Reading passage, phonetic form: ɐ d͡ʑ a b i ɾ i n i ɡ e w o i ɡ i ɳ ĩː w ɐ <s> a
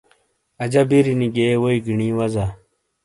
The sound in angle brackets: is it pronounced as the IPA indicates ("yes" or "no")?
no